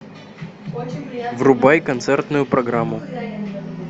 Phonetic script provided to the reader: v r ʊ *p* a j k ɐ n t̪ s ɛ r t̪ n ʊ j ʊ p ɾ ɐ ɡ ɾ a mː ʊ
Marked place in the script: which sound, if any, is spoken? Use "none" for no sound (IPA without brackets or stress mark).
b